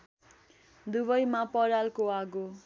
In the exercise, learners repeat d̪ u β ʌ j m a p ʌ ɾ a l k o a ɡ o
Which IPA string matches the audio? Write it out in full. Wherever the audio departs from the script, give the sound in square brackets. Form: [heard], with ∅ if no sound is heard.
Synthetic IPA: d̪ u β ʌ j m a p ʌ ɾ a l k o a ɡ o